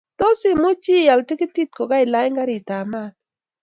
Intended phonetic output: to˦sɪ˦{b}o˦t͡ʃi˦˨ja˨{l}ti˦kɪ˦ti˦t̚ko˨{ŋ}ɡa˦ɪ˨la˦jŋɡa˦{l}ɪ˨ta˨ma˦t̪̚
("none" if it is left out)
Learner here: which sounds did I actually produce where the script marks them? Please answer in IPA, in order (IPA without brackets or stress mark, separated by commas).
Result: m, l, none, ɾ